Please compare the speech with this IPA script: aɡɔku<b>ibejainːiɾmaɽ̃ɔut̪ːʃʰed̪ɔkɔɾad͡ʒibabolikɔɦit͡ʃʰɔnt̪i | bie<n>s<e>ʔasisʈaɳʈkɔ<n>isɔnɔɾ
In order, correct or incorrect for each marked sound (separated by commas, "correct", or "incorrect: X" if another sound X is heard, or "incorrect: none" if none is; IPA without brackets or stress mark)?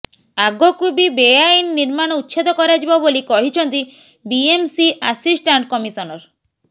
correct, incorrect: m, incorrect: i, incorrect: m